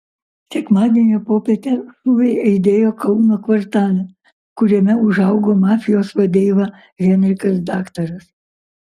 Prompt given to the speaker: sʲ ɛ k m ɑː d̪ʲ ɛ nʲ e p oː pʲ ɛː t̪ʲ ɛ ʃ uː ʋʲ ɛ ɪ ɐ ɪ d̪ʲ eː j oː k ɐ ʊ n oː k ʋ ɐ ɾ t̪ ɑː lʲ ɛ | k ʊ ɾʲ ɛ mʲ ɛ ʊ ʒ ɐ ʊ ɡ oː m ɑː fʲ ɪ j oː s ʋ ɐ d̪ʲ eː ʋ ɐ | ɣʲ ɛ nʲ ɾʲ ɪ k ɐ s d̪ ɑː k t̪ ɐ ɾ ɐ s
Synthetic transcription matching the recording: sʲ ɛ k m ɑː d̪ʲ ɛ nʲ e p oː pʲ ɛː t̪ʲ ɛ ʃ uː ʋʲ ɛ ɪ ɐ ɪ d̪ʲ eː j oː k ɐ ʊ n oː k ʋ ɐ ɾ t̪ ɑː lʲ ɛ | k ʊ ɾʲ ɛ mʲ ɛ ʊ ʒ ɐ ʊ ɡ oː m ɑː fʲ ɪ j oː s ʋ ɐ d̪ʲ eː ʋ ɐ | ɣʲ ɛ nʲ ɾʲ ɪ k ɐ s d̪ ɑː k t̪ ɐ ɾ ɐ s